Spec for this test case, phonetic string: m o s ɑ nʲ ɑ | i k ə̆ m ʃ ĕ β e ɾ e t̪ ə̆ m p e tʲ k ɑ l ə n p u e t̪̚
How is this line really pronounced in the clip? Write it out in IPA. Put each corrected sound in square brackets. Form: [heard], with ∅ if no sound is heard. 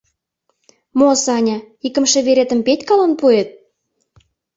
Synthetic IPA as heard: m o s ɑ nʲ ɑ | i k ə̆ m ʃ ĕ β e ɾ e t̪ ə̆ m p e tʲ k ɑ l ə n p u e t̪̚